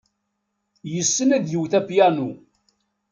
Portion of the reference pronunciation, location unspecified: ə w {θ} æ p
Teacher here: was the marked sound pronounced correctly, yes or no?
yes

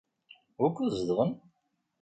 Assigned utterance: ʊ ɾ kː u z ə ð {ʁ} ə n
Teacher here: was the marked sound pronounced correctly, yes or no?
yes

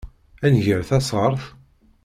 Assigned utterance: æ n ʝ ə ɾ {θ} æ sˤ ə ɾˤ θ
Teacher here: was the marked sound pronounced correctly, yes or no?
yes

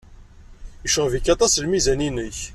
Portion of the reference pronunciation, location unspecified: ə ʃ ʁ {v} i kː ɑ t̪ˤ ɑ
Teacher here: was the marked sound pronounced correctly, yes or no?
yes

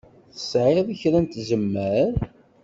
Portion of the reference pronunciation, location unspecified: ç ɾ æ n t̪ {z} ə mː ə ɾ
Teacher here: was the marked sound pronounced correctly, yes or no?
yes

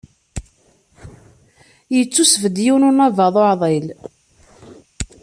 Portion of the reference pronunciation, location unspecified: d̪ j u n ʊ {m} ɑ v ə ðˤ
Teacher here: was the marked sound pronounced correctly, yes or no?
no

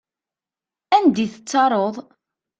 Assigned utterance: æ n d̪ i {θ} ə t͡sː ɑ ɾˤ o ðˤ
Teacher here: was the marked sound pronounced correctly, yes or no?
yes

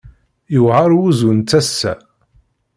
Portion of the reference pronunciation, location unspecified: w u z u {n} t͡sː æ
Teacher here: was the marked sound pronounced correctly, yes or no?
yes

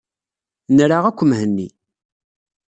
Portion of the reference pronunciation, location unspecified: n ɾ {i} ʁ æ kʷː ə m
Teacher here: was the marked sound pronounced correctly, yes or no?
no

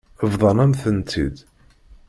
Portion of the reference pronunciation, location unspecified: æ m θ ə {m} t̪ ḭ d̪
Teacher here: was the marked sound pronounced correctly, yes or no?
no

